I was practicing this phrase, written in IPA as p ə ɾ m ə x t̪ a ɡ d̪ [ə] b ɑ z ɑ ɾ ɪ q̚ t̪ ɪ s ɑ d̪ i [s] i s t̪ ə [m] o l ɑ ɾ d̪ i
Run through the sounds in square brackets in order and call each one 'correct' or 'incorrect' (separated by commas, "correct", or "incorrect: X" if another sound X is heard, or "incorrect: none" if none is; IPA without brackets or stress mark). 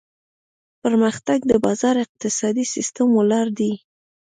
correct, correct, correct